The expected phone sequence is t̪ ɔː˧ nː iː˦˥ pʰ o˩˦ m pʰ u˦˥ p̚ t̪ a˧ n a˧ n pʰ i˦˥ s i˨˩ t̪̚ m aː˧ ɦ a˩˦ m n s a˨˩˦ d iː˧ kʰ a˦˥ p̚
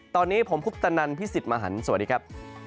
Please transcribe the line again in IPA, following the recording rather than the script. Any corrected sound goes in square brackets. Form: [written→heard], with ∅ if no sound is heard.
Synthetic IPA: t̪ ɔː˧ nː iː˦˥ pʰ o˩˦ m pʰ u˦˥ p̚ t̪ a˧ n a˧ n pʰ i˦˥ s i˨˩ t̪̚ m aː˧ ɦ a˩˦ [m→∅] n s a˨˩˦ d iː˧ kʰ a˦˥ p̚